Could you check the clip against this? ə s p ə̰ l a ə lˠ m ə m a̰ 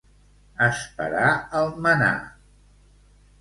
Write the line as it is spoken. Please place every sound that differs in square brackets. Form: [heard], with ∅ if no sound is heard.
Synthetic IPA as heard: ə s p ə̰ [ɾ] a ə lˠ m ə [n] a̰